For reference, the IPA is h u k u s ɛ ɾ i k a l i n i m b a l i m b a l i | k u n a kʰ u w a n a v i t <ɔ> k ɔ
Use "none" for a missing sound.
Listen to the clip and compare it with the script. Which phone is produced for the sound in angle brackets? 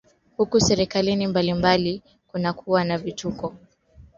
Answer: u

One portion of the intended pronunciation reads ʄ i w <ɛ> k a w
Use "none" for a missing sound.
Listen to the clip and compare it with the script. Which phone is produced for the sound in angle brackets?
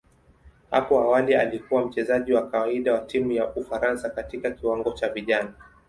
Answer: a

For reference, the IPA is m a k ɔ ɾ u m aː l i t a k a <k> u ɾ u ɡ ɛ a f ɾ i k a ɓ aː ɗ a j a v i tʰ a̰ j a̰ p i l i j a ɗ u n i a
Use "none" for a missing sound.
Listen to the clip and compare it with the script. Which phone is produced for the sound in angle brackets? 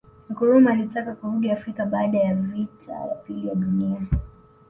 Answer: k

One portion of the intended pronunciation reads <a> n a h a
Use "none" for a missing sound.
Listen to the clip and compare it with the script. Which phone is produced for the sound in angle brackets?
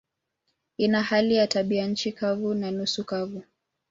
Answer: i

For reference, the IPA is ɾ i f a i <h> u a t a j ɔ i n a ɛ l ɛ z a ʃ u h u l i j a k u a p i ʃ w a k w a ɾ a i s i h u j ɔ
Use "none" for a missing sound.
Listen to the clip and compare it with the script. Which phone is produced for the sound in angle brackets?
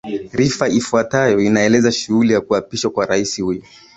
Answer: f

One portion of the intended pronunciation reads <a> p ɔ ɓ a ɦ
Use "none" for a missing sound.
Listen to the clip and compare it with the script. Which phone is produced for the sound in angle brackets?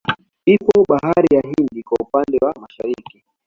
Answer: i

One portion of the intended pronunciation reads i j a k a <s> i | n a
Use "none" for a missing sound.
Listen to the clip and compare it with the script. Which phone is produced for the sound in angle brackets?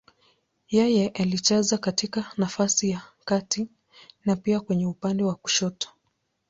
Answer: t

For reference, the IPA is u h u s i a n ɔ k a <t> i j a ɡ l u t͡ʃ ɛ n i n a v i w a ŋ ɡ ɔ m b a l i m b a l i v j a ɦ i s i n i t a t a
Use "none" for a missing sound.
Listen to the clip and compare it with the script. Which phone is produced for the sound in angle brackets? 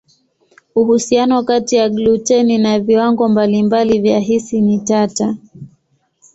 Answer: t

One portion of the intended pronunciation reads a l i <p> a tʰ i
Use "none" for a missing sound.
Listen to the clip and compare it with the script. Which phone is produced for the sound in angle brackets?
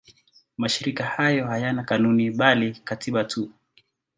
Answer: k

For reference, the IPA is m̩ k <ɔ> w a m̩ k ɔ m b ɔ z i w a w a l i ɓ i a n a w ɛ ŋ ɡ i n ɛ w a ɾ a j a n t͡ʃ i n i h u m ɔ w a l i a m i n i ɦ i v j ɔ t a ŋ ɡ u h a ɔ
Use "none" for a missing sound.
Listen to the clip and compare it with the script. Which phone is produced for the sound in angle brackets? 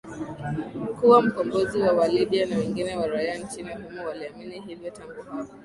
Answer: u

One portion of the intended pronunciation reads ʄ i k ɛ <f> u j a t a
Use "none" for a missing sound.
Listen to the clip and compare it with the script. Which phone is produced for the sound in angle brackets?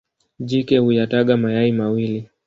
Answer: h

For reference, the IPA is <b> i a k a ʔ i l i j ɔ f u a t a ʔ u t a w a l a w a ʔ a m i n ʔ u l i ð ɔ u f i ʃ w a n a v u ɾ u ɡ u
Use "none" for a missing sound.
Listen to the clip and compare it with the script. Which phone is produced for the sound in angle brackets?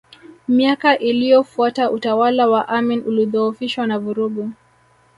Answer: m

